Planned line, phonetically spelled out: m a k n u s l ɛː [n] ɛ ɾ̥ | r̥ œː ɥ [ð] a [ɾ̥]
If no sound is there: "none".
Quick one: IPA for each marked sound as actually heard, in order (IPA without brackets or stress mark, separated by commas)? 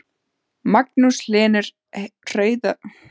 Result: n, ð, none